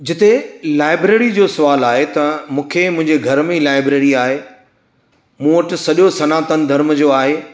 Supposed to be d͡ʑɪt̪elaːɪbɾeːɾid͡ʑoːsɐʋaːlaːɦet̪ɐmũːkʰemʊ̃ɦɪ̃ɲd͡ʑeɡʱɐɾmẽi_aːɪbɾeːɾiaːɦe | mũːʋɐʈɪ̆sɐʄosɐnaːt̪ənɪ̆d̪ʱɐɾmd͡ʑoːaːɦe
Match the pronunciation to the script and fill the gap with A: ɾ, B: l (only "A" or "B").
B